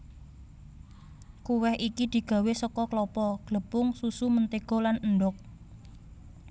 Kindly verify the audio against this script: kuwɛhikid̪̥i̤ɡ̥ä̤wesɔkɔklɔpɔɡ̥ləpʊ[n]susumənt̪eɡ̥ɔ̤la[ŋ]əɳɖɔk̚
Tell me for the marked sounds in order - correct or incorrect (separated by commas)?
incorrect, incorrect